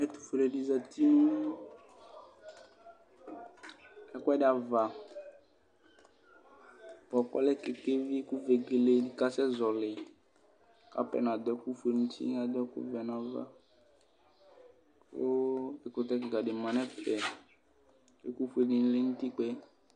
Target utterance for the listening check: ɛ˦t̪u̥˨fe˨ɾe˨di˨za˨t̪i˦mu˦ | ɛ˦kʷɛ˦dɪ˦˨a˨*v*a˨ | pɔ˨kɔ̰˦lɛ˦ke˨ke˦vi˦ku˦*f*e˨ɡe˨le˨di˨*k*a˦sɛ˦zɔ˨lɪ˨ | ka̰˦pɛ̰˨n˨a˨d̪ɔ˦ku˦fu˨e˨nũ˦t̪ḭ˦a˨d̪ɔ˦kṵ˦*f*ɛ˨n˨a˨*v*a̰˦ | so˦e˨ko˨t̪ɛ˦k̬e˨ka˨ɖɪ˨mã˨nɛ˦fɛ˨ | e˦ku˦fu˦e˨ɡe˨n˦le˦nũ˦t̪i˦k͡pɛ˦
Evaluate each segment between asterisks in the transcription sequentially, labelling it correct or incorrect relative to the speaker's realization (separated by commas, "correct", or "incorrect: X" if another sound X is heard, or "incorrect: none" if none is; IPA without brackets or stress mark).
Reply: correct, incorrect: v, correct, incorrect: v, correct